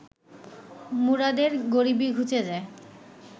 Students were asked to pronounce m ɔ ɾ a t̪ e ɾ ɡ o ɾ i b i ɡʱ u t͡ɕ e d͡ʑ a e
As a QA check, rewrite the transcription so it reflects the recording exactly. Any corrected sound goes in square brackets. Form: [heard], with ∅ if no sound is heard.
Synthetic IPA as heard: m [u] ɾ a [d̪] e ɾ ɡ o ɾ i b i ɡʱ u t͡ɕ e d͡ʑ a e